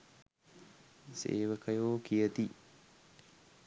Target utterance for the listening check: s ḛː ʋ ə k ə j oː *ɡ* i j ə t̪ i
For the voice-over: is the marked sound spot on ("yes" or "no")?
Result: no